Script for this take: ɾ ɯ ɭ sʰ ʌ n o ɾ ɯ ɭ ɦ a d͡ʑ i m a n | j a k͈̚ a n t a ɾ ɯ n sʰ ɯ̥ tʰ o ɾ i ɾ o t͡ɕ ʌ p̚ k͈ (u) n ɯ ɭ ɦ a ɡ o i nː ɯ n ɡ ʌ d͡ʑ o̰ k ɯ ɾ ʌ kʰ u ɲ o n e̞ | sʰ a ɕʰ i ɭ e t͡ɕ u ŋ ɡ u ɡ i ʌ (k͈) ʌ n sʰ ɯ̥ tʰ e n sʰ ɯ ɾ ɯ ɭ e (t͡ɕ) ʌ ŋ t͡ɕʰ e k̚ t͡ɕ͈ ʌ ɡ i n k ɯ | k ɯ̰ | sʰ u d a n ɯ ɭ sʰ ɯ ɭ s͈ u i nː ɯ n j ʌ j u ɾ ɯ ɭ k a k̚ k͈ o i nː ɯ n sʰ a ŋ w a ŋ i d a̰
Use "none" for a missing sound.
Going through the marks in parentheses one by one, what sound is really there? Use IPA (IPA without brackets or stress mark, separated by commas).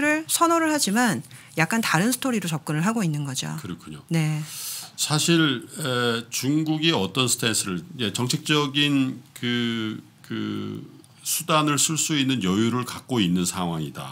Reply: ɯ, t͈, t͡ɕ